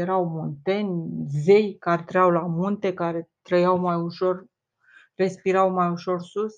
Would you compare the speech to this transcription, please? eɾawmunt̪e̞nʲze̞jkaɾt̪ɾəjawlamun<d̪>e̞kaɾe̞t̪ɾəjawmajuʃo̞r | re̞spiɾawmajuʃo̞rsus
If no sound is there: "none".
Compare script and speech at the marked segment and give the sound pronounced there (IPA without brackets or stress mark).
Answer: t̪